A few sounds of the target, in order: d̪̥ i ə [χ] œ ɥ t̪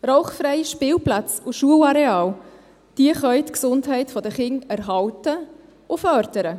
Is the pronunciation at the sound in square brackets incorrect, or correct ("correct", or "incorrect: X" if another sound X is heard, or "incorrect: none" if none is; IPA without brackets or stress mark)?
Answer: correct